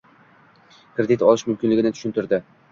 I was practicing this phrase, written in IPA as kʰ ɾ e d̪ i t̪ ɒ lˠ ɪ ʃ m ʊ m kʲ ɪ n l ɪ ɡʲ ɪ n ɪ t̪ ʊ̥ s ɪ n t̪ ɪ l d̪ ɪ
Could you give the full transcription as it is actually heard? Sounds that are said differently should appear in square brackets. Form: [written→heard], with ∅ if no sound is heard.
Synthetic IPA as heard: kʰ ɾ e d̪ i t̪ ɒ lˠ ɪ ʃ m ʊ m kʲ ɪ n l ɪ ɡʲ ɪ n ɪ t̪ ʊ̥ [s→ʃ] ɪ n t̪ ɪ [l→ɾ] d̪ ɪ